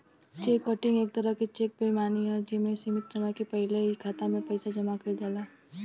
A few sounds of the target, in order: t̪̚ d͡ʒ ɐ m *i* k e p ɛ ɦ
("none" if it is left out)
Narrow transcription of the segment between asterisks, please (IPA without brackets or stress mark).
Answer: a